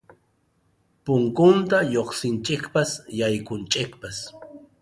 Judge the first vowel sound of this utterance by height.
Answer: high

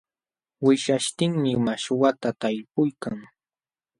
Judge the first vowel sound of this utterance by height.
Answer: high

